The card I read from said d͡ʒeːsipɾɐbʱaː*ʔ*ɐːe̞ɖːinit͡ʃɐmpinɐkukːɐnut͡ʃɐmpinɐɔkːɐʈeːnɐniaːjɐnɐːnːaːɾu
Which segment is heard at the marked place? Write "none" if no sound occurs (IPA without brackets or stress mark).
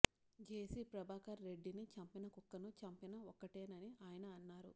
k